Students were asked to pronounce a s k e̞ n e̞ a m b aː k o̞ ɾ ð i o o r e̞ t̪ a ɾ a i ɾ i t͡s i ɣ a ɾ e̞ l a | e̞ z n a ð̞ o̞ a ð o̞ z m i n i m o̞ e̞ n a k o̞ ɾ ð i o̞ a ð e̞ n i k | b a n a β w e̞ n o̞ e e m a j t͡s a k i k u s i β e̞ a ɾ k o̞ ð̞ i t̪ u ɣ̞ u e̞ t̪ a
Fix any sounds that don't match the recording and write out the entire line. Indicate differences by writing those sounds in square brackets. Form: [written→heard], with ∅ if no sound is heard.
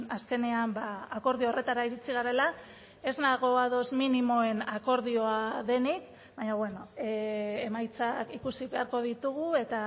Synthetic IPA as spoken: a s k e̞ n e̞ a m b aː k o̞ ɾ ð i o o r e̞ t̪ a ɾ a i ɾ i t͡s i ɣ a ɾ e̞ l a | e̞ z n a [ð̞→ɣ̞] o̞ a ð o̞ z m i n i m o̞ e̞ n a k o̞ ɾ ð i o̞ a ð e̞ n i k | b a [n→ɲ] a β w e̞ n o̞ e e m a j t͡s a k i k u s i β e̞ a ɾ k o̞ ð̞ i t̪ u ɣ̞ u e̞ t̪ a